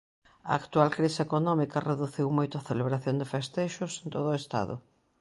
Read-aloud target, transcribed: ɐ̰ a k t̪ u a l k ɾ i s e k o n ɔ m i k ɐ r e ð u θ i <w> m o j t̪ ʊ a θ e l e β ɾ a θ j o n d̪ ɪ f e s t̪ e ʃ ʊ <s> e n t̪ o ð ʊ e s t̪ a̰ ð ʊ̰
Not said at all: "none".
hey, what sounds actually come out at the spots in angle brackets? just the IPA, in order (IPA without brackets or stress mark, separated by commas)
w, s